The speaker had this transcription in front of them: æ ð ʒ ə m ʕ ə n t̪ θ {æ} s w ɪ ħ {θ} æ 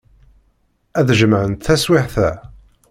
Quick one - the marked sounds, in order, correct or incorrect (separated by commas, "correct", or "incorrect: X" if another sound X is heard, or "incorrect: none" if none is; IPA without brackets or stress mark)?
correct, correct